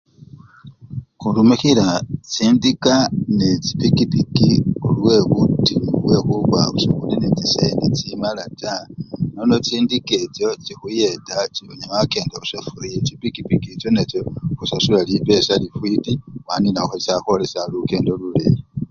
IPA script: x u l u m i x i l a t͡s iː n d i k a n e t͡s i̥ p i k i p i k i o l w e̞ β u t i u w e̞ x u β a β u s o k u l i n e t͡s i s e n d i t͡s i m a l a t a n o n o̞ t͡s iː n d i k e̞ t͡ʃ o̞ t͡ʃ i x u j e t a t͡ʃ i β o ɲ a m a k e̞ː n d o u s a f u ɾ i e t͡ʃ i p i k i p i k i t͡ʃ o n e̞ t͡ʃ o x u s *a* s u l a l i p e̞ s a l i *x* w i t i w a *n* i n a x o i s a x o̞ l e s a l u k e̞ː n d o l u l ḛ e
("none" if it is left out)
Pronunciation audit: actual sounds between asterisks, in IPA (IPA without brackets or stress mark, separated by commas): a, f, n